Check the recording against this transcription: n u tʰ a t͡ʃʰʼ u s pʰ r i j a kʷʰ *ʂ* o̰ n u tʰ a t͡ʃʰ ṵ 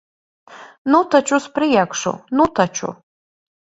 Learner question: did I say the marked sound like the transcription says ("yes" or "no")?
yes